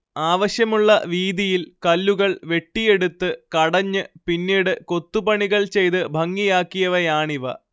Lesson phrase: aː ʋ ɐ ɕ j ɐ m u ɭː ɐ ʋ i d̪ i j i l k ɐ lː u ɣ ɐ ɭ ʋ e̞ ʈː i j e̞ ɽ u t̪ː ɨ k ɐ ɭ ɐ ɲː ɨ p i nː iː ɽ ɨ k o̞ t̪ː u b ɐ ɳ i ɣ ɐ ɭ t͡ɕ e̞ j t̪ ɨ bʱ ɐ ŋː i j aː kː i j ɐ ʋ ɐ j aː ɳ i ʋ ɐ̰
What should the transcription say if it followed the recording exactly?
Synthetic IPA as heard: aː ʋ ɐ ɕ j ɐ m u ɭː ɐ ʋ iː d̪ i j i l k ɐ lː u ɣ ɐ ɭ ʋ e̞ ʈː i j e̞ ɽ u t̪ː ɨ k ɐ ɽ ɐ ɲː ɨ p i nː iː ɽ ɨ k o̞ t̪ː u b ɐ ɳ i ɣ ɐ ɭ t͡ɕ e̞ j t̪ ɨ bʱ ɐ ŋː i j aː kː i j ɐ ʋ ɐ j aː ɳ i ʋ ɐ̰